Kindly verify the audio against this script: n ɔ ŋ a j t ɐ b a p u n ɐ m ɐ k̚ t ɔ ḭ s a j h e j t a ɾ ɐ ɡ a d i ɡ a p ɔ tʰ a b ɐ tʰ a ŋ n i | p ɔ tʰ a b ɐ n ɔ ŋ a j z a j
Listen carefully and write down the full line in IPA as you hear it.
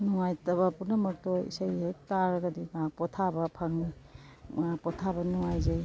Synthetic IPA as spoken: n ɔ ŋ a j t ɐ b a p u n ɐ m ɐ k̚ t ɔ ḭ s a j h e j t a ɾ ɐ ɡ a d i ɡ a p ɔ tʰ a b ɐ pʰ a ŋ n i | p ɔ tʰ a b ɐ n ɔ ŋ a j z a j